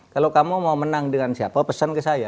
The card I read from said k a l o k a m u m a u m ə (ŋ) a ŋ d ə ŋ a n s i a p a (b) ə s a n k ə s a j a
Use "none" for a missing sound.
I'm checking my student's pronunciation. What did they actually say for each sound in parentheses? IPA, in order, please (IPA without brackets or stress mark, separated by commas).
n, p